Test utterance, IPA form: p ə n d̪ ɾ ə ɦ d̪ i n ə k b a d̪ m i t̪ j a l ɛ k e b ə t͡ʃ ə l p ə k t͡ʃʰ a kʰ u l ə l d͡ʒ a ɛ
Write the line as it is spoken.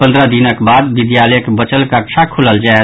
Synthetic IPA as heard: p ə n d̪ ɾ ə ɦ d̪ i n ə k b a d̪ b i d̪ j a l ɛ k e b ə t͡ʃ ə l k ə k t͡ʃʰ a kʰ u l ə l d͡ʒ a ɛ